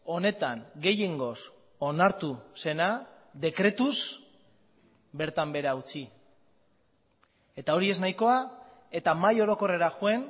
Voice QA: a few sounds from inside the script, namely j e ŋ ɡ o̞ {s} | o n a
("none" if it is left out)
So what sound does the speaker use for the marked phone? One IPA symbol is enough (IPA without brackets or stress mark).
s